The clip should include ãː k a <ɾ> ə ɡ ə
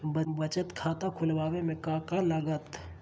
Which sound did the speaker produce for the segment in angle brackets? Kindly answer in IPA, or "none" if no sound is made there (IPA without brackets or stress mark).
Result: l